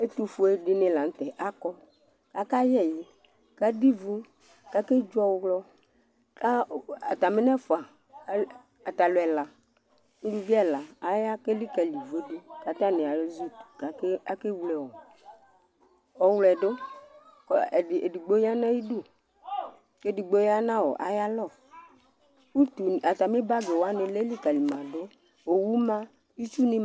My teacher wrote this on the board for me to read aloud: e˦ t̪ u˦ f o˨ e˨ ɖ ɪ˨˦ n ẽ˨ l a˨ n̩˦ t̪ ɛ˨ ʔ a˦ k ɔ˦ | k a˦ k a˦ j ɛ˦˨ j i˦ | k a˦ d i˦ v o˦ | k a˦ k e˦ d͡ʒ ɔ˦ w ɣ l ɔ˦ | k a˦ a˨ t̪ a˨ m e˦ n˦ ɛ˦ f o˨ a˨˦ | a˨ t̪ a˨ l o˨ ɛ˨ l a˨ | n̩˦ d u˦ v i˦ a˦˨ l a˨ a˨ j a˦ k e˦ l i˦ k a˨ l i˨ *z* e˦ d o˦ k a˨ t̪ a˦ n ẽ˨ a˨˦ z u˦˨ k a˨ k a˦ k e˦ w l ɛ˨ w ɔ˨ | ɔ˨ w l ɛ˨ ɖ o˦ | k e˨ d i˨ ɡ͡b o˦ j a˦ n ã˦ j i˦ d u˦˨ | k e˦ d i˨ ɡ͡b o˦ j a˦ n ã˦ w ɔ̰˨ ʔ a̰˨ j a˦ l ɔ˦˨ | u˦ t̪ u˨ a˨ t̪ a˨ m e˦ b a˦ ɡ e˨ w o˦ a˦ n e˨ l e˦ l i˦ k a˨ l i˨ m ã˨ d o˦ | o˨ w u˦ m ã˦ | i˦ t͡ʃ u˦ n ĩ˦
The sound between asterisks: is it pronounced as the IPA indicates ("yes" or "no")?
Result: no